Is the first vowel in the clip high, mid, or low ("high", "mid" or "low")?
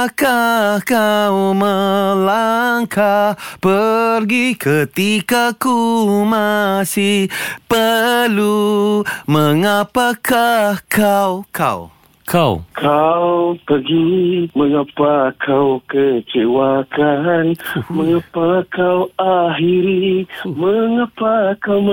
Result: low